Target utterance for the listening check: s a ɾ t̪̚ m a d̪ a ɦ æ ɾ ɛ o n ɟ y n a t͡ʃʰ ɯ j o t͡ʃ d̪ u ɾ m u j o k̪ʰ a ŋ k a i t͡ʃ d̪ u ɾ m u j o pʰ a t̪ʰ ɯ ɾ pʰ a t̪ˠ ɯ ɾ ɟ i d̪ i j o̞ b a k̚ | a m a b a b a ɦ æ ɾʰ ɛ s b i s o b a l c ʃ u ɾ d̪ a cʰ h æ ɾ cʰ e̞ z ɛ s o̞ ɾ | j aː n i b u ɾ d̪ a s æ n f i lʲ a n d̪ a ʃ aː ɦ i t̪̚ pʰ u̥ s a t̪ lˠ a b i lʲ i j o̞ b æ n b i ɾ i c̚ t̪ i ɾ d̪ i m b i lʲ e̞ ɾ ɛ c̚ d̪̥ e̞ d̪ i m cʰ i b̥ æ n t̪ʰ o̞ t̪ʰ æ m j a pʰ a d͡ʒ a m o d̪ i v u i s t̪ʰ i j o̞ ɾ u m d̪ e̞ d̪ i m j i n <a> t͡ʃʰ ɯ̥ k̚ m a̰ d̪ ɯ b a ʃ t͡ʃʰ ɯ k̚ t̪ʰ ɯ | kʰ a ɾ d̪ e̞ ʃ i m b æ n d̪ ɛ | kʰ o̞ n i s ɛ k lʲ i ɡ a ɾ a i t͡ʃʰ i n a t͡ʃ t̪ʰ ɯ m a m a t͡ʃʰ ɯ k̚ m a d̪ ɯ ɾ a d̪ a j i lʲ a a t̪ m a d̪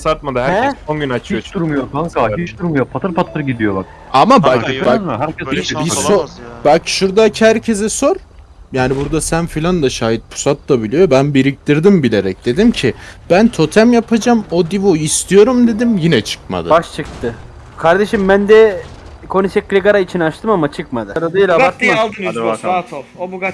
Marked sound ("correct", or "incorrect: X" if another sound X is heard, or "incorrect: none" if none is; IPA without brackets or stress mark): incorrect: ɛ